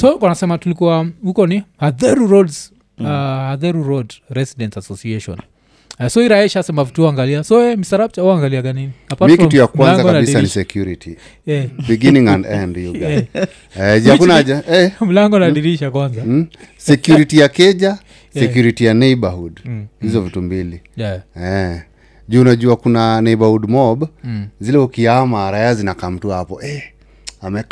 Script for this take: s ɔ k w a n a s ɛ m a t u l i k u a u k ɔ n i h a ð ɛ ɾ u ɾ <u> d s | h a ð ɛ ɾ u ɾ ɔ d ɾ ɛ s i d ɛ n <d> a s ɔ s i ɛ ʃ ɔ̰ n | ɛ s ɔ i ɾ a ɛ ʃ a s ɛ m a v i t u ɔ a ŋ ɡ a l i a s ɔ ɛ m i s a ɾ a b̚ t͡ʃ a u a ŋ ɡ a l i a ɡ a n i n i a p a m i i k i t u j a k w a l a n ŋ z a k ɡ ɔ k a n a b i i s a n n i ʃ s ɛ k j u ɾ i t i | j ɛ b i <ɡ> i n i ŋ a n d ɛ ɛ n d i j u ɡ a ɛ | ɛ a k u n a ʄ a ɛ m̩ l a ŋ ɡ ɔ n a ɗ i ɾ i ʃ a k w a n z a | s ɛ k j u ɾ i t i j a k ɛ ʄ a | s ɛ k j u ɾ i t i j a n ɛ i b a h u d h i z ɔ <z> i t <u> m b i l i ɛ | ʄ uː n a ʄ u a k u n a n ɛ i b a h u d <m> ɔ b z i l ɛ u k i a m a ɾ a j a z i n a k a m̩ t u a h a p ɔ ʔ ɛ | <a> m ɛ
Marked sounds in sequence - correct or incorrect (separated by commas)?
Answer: incorrect, incorrect, correct, incorrect, correct, correct, correct